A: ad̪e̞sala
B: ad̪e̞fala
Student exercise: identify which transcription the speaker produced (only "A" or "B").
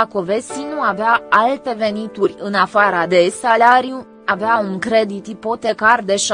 A